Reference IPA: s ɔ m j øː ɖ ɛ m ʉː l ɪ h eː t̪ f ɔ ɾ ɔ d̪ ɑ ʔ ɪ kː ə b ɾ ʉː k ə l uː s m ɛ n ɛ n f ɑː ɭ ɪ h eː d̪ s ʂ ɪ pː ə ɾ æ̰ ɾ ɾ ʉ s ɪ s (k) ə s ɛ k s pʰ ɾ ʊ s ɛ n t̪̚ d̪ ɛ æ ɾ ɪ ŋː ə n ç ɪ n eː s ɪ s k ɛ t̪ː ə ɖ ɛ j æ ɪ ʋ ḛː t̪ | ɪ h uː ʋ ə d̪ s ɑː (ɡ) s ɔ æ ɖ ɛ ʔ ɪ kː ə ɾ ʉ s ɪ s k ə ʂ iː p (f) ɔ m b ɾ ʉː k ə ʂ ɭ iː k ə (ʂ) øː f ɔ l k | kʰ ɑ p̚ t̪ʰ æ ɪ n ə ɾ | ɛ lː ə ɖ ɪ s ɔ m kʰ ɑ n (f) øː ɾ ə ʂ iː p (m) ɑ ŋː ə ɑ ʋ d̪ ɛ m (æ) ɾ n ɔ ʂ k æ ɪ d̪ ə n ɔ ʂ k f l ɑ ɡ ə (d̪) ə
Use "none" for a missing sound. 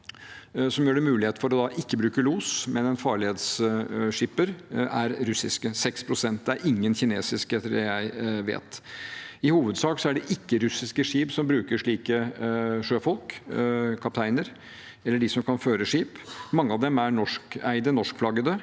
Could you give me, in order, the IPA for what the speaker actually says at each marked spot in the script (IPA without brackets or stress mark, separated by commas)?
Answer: k, k, s, ʂ, f, m, æ, d̪